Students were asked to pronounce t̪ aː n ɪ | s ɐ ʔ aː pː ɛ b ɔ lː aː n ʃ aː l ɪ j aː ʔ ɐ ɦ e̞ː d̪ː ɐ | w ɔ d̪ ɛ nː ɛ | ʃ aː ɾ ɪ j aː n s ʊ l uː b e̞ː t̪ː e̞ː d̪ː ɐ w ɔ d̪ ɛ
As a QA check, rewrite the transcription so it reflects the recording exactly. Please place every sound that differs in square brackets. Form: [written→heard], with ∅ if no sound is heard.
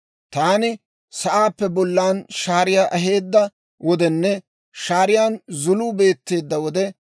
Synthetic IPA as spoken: t̪ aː n ɪ | s ɐ ʔ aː pː ɛ b ɔ lː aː n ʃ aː [l→ɾ] ɪ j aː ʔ ɐ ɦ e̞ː d̪ː ɐ | w ɔ d̪ ɛ nː ɛ | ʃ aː ɾ ɪ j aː n [s→z] ʊ l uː b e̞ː t̪ː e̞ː d̪ː ɐ w ɔ d̪ ɛ